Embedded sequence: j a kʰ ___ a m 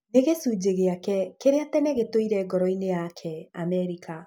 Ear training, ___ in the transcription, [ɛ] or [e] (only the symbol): ɛ